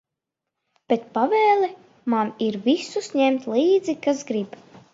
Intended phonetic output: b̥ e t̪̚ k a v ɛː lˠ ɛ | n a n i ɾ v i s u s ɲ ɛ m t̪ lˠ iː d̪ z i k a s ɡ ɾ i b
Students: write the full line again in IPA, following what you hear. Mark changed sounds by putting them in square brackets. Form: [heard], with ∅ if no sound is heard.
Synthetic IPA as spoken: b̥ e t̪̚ [p] a v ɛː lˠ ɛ | [m] a n i ɾ v i s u s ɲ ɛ m t̪ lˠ iː d̪ z i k a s ɡ ɾ i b